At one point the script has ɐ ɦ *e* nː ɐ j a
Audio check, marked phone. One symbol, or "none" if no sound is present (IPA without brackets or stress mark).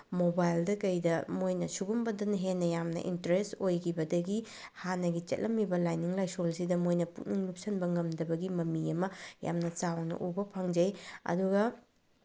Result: e